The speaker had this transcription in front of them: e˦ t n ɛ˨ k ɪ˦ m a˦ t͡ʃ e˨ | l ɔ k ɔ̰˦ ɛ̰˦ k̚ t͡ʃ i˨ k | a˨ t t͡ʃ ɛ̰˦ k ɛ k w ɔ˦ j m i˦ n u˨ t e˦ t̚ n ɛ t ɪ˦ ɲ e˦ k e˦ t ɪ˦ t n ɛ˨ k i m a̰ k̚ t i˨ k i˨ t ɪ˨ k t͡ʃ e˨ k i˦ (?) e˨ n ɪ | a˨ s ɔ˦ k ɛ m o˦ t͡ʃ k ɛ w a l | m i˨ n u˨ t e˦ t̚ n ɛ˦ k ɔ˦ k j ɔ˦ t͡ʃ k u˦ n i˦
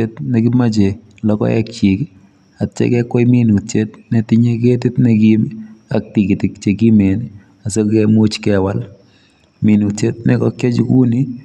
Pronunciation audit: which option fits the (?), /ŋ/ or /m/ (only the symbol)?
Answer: m